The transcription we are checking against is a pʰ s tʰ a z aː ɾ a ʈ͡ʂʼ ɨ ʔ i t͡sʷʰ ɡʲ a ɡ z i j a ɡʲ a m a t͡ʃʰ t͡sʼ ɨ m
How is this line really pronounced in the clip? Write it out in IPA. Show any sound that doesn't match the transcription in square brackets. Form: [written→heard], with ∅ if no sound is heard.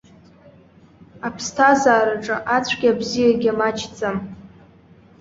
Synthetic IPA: a pʰ s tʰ a z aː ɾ a ʈ͡ʂʼ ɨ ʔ [i→a] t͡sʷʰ ɡʲ a [ɡ→b] z i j a ɡʲ a m a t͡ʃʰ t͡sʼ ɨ m